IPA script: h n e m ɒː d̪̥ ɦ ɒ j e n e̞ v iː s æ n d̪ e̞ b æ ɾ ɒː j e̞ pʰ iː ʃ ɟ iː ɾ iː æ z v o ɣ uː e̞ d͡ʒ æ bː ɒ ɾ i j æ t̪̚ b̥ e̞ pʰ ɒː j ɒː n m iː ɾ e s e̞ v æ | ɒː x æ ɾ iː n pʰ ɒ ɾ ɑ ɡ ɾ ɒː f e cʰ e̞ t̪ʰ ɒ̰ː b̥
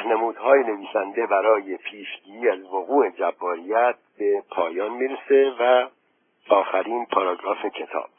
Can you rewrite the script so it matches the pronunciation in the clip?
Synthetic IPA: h n e m uː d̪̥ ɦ ɒː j e n e̞ v iː s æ n d̪ e̞ b æ ɾ ɒː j e̞ pʰ iː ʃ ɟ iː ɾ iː æ z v o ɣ uː e̞ d͡ʒ æ bː ɒː ɾ i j æ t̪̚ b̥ e̞ pʰ ɒː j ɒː n m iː ɾ e s e̞ v æ | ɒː x æ ɾ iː n pʰ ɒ ɾ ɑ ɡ ɾ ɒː f e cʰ e̞ t̪ʰ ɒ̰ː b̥